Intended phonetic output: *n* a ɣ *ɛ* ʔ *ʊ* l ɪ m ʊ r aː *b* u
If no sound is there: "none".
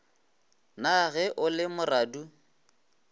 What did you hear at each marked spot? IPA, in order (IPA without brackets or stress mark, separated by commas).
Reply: n, ɛ, ʊ, d